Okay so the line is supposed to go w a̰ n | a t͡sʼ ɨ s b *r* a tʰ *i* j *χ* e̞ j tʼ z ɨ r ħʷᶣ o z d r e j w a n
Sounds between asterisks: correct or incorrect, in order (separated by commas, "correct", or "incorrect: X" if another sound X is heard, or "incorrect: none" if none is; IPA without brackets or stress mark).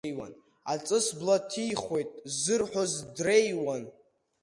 incorrect: l, correct, correct